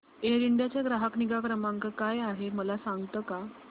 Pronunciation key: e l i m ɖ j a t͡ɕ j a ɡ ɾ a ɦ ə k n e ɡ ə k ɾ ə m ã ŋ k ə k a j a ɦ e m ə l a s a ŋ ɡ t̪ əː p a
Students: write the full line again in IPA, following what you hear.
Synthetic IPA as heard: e ɾ i ɳ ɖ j a t͡ɕ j a ɡ ɾ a ɦ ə k n i ɡ a k ɾ ə m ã ŋ k ə k a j a ɦ e m ə l a s a ŋ ɡ t̪ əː k a